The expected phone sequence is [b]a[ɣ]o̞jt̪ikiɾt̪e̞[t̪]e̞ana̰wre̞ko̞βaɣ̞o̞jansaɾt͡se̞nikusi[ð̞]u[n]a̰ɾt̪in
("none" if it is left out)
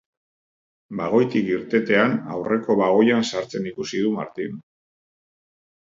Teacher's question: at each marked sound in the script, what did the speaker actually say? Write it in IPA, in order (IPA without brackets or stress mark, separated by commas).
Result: b, ɣ, t̪, ð̞, m